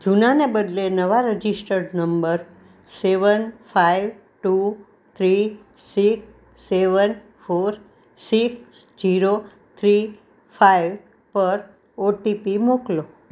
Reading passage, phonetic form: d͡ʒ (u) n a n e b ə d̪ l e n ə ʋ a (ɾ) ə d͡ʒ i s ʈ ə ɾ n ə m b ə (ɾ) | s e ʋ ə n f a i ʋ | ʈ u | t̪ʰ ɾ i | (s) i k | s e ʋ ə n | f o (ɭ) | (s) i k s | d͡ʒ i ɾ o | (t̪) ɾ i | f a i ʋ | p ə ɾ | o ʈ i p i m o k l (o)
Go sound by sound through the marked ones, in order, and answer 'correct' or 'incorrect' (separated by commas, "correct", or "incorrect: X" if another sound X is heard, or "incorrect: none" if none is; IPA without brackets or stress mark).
correct, correct, correct, correct, incorrect: ɾ, correct, incorrect: t̪ʰ, correct